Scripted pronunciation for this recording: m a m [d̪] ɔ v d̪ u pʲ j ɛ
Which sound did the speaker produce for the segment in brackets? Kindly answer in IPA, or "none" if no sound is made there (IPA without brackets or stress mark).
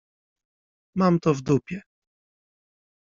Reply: t̪